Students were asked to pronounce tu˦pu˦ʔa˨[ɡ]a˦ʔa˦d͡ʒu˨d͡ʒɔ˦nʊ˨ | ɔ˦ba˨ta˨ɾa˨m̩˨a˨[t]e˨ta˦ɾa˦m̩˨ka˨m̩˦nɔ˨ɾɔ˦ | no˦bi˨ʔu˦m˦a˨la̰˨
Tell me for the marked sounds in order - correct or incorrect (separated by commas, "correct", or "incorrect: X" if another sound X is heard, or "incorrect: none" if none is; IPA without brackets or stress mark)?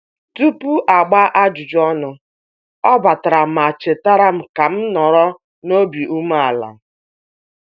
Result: incorrect: ɡ͡b, incorrect: t͡ʃ